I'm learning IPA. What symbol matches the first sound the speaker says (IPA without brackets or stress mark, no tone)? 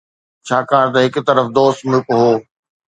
t͡ɕʰ